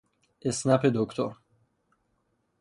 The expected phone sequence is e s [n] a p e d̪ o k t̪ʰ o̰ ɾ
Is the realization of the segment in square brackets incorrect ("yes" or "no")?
no